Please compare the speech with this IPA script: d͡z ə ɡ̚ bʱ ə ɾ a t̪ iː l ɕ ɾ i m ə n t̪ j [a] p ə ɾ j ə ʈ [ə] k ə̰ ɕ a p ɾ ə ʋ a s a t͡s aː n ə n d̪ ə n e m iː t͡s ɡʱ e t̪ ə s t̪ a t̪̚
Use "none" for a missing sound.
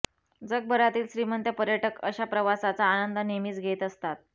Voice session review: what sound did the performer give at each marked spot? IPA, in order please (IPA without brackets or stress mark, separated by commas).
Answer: ə, ə